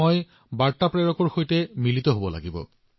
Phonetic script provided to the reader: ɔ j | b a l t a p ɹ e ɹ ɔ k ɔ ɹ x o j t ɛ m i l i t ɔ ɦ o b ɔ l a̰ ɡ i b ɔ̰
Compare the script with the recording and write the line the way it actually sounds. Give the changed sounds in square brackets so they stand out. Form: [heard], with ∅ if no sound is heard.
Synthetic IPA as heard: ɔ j | b a [ɹ] t a p ɹ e ɹ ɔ k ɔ ɹ x o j t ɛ m i l i t ɔ ɦ o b ɔ l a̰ ɡ i b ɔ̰